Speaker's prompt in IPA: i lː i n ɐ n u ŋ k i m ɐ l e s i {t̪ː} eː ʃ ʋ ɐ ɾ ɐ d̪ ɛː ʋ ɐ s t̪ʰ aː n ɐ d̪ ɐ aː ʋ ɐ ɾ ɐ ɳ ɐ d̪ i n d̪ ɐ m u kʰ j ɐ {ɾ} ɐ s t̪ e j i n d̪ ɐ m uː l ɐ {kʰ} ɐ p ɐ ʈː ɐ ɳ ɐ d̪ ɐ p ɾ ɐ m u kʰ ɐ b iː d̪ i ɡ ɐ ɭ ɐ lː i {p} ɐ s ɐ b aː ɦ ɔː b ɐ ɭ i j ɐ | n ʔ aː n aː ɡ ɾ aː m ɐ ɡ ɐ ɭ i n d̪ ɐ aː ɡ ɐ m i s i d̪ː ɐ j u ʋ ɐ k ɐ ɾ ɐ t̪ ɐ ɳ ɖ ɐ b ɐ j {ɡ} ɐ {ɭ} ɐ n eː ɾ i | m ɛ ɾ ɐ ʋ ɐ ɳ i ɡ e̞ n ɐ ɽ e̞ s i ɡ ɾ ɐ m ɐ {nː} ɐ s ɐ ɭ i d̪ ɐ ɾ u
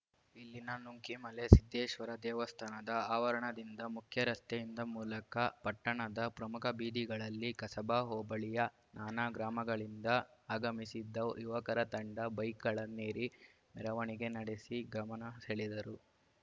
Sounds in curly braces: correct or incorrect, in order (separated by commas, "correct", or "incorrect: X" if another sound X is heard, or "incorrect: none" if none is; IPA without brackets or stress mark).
incorrect: d̪ː, correct, incorrect: k, incorrect: k, incorrect: k, correct, incorrect: n